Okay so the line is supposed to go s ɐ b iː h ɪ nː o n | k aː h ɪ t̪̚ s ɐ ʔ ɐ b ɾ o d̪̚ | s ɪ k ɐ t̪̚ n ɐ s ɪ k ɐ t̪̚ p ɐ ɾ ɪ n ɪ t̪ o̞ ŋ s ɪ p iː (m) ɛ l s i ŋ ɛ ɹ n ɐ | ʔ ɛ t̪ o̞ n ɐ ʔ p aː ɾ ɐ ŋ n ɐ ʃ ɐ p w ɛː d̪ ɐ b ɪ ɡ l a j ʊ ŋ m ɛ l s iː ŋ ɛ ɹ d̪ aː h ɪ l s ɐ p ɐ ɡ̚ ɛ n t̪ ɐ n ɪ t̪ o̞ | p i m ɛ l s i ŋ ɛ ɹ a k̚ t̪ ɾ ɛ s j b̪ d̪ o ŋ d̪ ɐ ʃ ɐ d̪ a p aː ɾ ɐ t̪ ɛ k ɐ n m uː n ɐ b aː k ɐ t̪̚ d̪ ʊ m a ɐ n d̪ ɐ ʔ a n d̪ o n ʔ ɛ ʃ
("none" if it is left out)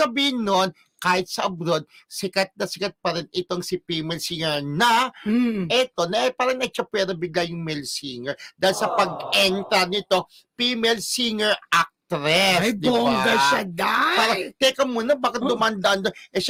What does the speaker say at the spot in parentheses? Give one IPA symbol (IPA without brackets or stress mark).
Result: m